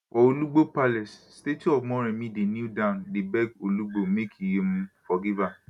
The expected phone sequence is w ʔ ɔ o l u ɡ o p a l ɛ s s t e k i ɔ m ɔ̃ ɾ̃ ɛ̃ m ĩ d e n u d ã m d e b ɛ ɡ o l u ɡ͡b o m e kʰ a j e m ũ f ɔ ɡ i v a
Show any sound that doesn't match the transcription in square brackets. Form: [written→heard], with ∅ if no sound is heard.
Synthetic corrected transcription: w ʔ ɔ o l u [ɡ→ɡ͡b] o p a l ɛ s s t e [k→t] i ɔ m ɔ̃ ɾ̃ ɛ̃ m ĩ d e n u d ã [m→n] d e b ɛ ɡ o l u ɡ͡b o m e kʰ [a→i] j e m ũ f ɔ ɡ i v a